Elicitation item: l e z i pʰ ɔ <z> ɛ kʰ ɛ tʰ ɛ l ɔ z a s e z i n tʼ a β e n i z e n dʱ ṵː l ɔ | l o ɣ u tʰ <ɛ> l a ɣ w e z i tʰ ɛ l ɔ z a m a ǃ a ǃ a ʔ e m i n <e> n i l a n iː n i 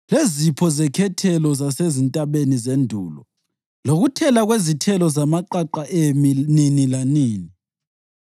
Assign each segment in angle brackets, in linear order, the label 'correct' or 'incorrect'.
correct, correct, incorrect

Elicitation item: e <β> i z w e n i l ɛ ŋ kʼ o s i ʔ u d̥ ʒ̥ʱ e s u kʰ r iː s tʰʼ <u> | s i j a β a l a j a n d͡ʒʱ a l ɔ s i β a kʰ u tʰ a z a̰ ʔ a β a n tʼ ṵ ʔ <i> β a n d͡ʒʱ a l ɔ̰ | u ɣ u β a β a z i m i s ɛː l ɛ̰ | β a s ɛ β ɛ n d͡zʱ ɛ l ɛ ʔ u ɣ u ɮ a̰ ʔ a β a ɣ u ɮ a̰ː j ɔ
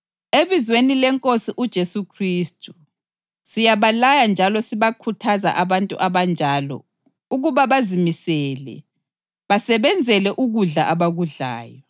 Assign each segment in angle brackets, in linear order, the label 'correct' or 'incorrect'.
correct, correct, incorrect

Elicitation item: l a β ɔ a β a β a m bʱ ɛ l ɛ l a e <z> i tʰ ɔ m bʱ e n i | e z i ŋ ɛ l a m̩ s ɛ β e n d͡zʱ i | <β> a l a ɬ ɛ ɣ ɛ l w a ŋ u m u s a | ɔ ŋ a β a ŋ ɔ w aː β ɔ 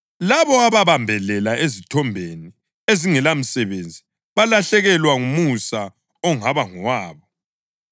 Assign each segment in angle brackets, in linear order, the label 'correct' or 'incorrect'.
correct, correct

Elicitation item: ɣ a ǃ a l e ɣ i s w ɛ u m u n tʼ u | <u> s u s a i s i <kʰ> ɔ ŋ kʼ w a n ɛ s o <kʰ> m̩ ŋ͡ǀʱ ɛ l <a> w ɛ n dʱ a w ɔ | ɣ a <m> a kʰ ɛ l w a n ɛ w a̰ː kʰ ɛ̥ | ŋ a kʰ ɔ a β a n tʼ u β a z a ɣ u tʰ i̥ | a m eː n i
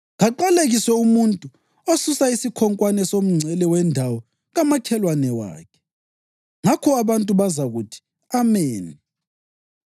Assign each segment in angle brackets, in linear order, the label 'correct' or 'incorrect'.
incorrect, correct, incorrect, incorrect, correct

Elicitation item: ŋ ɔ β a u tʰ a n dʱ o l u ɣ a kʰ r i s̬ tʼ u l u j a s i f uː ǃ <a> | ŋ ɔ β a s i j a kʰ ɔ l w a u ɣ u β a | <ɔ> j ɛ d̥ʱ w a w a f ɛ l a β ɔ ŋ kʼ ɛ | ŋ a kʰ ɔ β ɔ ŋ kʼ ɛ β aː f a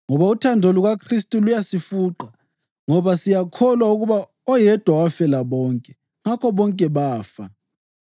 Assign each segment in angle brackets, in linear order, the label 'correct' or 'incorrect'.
correct, correct

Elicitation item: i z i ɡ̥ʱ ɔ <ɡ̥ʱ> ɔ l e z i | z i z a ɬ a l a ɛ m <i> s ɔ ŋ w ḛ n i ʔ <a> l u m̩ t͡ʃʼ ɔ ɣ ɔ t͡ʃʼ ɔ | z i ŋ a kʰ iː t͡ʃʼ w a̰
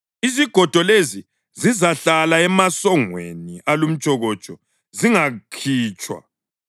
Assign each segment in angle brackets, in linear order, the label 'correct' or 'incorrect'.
incorrect, incorrect, correct

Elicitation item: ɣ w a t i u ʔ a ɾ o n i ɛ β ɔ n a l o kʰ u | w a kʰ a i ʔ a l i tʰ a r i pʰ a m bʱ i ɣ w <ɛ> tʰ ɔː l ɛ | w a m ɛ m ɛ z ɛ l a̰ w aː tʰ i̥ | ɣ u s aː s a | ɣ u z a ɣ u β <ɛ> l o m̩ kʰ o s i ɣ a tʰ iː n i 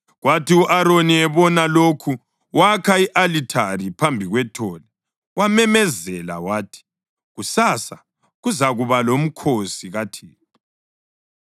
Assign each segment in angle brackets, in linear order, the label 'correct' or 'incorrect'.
correct, incorrect

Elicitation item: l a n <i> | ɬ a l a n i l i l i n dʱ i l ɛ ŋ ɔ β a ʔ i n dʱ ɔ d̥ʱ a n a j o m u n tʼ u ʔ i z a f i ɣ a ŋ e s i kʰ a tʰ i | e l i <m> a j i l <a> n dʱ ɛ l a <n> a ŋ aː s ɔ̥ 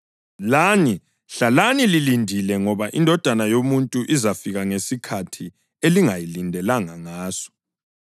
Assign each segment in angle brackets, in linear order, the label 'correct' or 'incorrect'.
correct, incorrect, incorrect, incorrect

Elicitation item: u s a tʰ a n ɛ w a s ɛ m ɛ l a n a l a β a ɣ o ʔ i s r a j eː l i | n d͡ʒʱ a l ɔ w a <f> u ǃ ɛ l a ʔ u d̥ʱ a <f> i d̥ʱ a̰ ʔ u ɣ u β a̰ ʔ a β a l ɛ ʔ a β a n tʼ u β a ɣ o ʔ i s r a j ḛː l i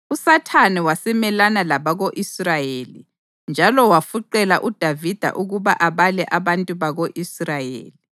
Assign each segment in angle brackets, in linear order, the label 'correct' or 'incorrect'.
correct, incorrect

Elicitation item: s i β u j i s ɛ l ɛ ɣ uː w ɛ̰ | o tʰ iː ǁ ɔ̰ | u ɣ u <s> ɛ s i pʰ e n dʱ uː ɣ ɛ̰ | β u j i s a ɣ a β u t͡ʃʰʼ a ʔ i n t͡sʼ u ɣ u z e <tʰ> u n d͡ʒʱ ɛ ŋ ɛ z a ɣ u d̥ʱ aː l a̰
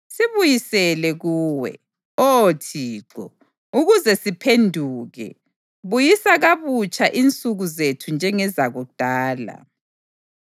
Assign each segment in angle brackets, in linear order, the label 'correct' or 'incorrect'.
incorrect, correct

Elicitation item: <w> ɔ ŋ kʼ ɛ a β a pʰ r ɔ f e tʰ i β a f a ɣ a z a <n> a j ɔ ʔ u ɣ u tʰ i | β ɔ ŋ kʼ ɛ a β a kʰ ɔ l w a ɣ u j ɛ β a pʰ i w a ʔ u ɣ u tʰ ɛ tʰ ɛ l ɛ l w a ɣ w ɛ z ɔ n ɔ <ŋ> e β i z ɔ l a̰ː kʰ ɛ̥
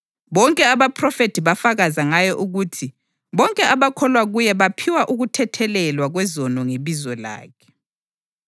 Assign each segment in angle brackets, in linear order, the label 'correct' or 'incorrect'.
incorrect, incorrect, correct

